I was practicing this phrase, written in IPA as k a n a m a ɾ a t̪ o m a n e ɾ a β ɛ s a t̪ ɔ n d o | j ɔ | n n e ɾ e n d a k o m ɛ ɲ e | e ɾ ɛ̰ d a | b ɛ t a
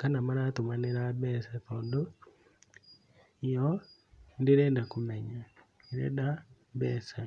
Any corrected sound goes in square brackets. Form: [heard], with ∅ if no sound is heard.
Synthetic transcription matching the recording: k a n a m a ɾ a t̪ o m a n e ɾ a [b] ɛ s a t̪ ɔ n d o | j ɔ | n [d] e ɾ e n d a k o m ɛ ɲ [a] | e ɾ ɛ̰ d a | b ɛ [s] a